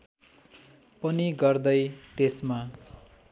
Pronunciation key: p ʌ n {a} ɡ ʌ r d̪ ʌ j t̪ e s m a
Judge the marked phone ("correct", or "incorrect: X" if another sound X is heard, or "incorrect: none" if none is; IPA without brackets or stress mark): incorrect: i